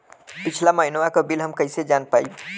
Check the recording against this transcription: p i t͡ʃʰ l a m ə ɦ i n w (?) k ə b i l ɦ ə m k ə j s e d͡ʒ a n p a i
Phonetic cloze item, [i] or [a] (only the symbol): a